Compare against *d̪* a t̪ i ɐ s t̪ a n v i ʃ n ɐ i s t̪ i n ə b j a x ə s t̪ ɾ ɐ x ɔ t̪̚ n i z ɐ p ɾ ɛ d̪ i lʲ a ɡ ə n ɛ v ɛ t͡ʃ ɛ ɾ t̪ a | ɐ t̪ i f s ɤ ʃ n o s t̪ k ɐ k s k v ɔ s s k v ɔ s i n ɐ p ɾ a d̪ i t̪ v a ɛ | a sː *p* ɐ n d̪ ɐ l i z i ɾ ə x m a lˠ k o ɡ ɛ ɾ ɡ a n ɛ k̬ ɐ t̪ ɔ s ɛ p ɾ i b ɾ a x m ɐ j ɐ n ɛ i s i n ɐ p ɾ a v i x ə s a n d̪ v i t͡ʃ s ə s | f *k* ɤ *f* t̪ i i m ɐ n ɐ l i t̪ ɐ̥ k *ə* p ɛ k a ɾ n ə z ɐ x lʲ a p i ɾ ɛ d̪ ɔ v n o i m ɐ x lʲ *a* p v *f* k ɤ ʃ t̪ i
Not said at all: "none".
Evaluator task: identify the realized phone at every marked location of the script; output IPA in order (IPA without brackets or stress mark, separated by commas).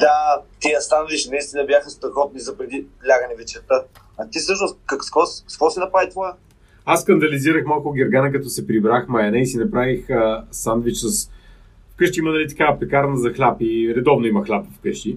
d̪, k, k, ʃ, a, a, f